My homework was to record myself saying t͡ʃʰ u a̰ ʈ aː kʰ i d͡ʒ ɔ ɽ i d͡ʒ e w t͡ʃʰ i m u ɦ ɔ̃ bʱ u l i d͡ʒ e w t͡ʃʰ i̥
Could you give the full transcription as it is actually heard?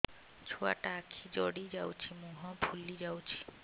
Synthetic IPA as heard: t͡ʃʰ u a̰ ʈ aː kʰ i d͡ʒ ɔ ɽ i d͡ʒ a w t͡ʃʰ i m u ɦ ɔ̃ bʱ u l i d͡ʒ a w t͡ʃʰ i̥